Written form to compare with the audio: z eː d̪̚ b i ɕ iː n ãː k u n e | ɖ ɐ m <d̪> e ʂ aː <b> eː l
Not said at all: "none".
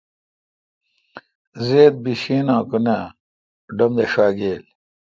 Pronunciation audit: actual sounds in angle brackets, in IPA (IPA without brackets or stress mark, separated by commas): d̪, ɡ